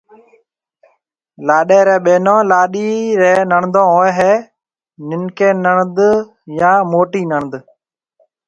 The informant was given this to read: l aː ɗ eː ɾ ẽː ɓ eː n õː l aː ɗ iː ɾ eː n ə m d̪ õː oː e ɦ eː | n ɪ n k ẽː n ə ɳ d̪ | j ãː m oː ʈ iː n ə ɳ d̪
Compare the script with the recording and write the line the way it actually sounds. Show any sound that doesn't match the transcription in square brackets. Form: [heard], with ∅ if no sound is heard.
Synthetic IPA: l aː ɗ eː ɾ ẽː ɓ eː n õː l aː ɗ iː ɾ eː n ə [ɳ] d̪ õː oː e ɦ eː | n ɪ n k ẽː n ə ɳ d̪ | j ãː m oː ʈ iː n ə ɳ d̪